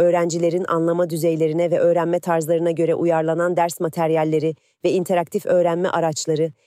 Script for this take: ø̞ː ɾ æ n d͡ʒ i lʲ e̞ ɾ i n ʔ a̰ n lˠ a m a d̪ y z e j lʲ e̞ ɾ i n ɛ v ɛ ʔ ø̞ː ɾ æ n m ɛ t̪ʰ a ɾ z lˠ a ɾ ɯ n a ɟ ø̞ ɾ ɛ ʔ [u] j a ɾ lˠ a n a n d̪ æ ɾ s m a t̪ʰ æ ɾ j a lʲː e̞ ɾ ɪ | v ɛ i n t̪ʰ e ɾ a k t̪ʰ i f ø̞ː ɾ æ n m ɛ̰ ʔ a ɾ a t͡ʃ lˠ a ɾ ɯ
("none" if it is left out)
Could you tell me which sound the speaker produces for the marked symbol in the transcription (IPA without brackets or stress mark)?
u